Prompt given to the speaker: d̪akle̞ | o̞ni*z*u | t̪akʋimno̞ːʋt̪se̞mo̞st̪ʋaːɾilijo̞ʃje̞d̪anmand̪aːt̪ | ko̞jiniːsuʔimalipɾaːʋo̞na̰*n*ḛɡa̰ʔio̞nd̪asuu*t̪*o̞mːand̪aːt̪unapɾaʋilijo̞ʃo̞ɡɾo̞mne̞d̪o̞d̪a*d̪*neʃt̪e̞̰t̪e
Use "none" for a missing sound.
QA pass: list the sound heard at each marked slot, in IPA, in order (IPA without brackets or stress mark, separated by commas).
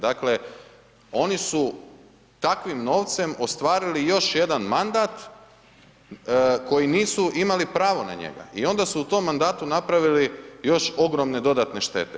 s, ɲ, t̪, t̪